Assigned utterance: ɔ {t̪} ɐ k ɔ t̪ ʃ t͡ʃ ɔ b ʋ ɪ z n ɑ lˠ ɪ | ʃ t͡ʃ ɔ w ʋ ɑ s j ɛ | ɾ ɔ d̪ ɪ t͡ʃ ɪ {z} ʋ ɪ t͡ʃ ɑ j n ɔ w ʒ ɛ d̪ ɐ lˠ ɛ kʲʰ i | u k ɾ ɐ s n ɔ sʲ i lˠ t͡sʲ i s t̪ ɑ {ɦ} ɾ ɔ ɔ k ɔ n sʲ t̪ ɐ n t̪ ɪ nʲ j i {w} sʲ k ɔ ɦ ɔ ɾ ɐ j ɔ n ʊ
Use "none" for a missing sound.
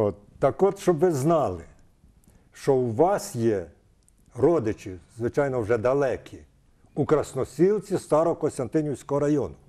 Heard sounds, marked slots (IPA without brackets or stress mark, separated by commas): t̪, z, none, w